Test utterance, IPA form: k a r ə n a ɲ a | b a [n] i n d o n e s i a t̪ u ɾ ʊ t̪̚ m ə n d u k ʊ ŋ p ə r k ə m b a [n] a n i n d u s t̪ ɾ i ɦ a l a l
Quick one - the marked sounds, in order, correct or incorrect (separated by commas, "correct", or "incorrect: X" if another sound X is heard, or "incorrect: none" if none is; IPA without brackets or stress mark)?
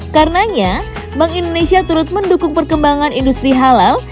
incorrect: ŋ, incorrect: ŋ